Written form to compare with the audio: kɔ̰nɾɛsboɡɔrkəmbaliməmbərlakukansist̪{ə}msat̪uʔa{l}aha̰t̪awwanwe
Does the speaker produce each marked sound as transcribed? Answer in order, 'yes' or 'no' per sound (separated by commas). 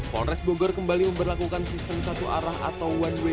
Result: yes, no